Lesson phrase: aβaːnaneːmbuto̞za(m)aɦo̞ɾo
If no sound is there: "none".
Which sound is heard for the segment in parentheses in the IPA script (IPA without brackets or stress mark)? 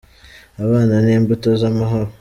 m